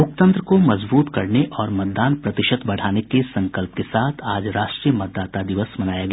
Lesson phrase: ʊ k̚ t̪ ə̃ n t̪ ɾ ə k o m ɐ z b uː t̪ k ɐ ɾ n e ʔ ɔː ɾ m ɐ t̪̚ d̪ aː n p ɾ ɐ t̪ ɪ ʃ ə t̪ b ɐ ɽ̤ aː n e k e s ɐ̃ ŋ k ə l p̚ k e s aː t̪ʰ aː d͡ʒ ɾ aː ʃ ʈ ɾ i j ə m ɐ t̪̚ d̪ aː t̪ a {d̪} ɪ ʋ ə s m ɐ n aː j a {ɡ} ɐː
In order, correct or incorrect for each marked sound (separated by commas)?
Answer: correct, correct